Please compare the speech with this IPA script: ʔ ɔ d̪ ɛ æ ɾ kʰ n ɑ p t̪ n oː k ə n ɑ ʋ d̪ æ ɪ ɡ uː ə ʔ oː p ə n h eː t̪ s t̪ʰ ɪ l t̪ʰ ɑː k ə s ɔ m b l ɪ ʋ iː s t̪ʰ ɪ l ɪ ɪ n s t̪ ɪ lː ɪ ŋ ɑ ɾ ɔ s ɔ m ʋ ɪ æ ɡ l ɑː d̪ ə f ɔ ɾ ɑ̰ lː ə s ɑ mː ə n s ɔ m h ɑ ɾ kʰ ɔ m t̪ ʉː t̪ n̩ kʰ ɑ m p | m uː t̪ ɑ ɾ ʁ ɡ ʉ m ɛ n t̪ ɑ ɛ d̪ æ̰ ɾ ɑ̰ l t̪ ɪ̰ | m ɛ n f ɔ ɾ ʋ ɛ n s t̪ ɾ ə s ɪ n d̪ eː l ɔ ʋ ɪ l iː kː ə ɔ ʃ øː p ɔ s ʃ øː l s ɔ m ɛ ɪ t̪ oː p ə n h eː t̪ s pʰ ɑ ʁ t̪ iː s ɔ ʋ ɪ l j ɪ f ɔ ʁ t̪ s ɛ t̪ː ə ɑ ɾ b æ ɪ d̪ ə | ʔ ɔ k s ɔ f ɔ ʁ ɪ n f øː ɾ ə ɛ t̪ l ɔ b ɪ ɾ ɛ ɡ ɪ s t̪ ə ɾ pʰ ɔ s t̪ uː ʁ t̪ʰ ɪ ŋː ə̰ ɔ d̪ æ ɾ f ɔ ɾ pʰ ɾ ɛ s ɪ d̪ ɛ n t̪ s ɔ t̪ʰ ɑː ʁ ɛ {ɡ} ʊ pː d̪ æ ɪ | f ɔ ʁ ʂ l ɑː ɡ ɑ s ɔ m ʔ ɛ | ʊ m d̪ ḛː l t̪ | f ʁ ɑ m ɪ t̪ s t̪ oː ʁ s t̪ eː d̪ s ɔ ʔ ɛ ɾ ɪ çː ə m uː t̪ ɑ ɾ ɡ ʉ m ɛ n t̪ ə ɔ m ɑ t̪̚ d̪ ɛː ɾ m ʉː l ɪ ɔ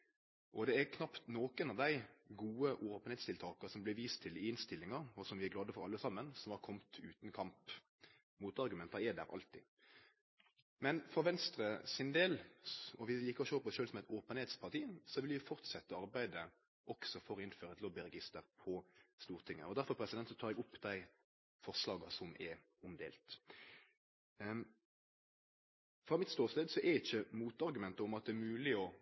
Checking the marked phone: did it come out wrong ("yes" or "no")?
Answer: no